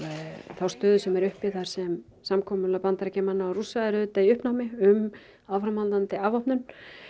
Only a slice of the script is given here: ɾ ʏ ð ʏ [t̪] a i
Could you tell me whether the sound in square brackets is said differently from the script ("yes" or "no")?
no